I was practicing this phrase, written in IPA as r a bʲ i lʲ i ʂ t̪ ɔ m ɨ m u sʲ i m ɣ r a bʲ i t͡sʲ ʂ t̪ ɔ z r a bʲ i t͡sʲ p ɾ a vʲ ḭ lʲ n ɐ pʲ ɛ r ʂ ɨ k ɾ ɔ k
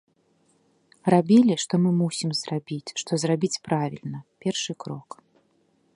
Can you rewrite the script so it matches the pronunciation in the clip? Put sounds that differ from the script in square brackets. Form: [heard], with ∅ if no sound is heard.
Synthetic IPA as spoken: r a bʲ i lʲ i ʂ t̪ ɔ m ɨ m u sʲ i m [z] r a bʲ i t͡sʲ ʂ t̪ ɔ z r a bʲ i t͡sʲ p ɾ a vʲ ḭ lʲ n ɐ pʲ ɛ r ʂ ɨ k ɾ ɔ k